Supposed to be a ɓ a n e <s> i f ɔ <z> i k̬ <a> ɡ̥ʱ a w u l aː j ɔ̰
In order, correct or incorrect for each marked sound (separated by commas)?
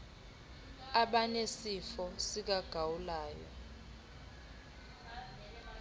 correct, incorrect, correct